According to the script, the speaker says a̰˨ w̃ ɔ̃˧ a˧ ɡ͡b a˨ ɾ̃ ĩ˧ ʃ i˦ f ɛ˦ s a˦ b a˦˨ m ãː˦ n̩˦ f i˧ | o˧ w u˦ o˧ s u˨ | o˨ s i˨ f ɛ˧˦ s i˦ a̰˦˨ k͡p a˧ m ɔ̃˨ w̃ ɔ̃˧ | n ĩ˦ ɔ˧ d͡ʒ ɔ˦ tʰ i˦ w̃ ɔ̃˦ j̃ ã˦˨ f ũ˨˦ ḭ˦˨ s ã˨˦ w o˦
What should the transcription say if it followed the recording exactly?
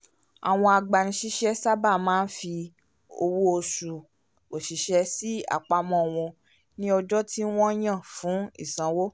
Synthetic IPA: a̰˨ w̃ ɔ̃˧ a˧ ɡ͡b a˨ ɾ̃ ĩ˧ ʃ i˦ ʃ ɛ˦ s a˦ b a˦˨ m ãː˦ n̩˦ f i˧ | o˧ w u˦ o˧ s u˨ | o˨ ʃ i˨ ʃ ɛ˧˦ s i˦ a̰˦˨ k͡p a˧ m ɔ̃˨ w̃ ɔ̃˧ | n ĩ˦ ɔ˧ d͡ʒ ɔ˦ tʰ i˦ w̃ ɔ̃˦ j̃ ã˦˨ f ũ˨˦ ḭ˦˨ s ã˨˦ w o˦

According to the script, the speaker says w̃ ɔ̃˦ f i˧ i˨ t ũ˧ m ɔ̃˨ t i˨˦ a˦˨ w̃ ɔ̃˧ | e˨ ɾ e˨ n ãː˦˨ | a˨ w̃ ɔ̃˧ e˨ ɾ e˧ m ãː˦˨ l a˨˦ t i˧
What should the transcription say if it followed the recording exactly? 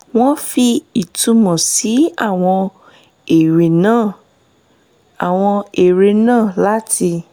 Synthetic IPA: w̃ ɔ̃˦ f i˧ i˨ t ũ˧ m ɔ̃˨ s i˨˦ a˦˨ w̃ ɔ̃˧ | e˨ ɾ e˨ n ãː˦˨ | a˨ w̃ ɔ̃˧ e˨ ɾ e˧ n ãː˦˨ l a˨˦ t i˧

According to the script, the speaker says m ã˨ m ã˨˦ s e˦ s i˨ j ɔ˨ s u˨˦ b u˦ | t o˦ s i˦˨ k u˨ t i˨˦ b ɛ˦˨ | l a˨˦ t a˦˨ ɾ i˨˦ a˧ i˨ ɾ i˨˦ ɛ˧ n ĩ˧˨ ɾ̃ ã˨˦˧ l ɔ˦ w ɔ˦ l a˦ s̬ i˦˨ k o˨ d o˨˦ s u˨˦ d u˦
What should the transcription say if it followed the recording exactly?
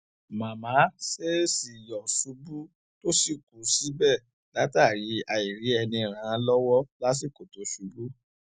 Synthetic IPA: m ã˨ m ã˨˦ s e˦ s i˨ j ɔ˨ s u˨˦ b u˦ | t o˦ s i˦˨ k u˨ s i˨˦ b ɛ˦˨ | l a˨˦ t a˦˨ ɾ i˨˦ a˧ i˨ ɾ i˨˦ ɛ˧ n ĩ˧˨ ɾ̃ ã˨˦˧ l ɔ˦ w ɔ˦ l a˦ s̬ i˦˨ k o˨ t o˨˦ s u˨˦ b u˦

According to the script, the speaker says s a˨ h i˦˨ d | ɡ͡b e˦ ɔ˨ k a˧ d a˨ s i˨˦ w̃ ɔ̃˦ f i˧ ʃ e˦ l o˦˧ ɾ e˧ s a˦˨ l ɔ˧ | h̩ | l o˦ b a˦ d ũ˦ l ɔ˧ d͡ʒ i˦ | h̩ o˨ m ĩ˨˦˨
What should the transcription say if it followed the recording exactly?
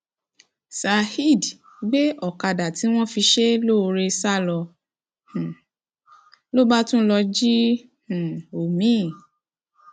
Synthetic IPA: s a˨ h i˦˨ d | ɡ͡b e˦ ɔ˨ k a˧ d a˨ t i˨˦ w̃ ɔ̃˦ f i˧ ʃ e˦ l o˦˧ ɾ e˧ s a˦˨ l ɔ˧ | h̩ | l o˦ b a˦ t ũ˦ l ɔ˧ d͡ʒ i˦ | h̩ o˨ m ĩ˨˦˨

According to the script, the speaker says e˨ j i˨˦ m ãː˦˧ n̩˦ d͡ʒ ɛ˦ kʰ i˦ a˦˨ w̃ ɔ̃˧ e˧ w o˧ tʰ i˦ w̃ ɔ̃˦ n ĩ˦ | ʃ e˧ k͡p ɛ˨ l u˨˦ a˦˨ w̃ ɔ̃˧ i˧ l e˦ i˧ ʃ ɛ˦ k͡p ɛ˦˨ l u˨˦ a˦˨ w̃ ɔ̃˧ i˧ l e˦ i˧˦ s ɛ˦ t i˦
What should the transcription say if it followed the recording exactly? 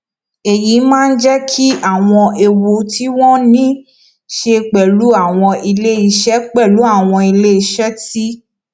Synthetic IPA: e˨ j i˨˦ m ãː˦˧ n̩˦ d͡ʒ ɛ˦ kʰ i˦ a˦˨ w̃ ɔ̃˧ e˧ w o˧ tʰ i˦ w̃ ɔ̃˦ n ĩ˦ | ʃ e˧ k͡p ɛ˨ l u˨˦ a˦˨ w̃ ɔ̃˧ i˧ l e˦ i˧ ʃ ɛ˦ k͡p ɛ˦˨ l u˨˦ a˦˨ w̃ ɔ̃˧ i˧ l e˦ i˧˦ ʃ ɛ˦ t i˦

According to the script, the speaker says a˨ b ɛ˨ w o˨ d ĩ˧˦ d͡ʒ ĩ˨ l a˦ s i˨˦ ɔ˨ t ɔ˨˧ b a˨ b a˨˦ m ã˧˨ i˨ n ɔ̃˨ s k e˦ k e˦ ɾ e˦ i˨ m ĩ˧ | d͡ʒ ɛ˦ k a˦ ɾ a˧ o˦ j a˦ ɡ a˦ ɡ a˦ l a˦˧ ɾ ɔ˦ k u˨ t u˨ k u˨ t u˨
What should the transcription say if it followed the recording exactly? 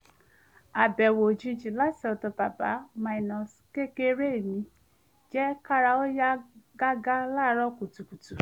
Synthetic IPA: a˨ b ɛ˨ w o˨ d͡ʒ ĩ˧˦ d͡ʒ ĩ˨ l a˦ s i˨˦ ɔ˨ t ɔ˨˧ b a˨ b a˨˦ m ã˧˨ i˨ n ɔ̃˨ s k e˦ k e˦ ɾ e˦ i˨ m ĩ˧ | d͡ʒ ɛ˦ k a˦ ɾ a˧ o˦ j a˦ ɡ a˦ ɡ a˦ l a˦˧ ɾ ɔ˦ k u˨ t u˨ k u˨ t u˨

